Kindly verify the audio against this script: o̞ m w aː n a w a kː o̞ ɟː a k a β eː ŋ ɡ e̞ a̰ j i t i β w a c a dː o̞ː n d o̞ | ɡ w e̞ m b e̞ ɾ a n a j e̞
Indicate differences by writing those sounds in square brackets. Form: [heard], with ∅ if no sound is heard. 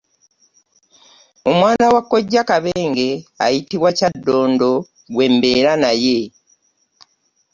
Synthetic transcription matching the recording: o̞ m w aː n a w a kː o̞ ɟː a k a β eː ŋ ɡ e̞ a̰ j i t i β w a c a dː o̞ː n d o̞ | ɡ w e̞ m b e̞ ɾ a n a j e̞